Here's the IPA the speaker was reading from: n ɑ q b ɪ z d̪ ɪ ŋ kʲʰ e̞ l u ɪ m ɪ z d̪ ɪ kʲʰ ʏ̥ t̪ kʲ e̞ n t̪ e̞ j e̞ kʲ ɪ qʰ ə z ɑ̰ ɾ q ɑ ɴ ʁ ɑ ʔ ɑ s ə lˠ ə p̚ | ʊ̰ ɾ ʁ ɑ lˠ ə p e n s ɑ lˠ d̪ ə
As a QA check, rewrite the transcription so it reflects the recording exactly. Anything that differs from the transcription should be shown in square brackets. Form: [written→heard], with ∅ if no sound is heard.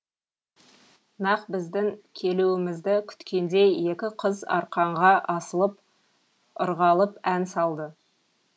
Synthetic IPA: n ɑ q b ɪ z d̪ ɪ ŋ kʲʰ e̞ l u ɪ m ɪ z d̪ ɪ kʲʰ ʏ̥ t̪ kʲ e̞ n [t̪→d̪] e̞ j e̞ kʲ ɪ qʰ ə z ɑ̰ ɾ q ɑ ɴ ʁ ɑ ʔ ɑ s ə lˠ ə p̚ | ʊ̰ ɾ ʁ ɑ lˠ ə p [e→æ] n s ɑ lˠ d̪ ə